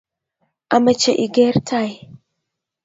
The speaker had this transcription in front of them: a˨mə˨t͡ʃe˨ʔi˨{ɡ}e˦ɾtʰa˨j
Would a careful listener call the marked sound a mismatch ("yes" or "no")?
no